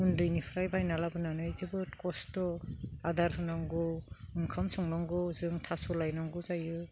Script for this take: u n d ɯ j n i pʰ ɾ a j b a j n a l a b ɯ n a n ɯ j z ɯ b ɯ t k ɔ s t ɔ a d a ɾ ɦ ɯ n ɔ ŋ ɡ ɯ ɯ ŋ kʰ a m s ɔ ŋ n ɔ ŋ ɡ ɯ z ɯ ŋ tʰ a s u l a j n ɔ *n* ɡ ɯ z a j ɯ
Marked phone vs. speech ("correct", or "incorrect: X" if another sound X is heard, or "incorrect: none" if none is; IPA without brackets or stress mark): incorrect: ŋ